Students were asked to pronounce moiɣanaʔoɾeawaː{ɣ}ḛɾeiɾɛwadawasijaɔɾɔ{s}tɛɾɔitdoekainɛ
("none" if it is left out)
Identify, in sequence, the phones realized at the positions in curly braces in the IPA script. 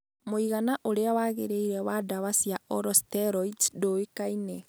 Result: ɣ, s

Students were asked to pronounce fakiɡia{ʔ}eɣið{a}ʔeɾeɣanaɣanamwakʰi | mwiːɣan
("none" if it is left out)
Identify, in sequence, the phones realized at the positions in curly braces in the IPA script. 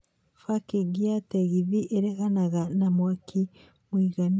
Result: t, i

